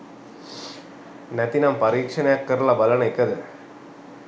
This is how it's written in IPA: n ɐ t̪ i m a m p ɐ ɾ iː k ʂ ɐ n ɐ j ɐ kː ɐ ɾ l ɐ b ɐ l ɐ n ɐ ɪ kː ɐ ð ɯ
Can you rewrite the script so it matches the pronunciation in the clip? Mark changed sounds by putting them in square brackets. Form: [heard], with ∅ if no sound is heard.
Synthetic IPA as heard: n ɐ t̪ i [n] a m p ɐ ɾ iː k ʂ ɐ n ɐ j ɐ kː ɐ ɾ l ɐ b ɐ l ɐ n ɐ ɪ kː ɐ ð ɯ